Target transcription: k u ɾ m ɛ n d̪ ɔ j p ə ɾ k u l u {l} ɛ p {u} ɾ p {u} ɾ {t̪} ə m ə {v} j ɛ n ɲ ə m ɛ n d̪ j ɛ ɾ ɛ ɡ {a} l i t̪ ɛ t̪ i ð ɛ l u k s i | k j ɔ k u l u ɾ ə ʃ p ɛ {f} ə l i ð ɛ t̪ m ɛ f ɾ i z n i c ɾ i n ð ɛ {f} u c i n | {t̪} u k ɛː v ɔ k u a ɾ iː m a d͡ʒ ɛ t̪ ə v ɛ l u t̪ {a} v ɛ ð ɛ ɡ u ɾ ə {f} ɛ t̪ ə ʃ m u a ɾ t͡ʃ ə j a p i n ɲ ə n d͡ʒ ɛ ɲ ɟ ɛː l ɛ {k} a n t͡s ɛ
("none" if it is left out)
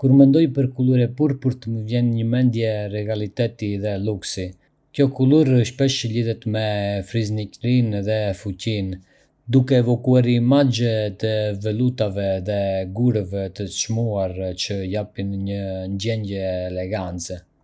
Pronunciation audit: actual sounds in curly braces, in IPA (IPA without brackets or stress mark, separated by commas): ɾ, u, u, t̪, v, a, ʃ, f, d̪, a, v, ɡ